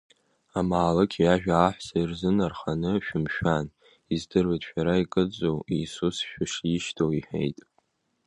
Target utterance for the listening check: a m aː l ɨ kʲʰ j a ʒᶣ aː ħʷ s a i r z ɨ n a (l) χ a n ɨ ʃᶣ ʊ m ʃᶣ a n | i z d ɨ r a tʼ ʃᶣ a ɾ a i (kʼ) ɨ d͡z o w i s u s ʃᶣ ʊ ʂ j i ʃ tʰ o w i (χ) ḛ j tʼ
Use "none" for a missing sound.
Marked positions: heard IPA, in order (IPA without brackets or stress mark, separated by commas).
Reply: r, kʼ, ħ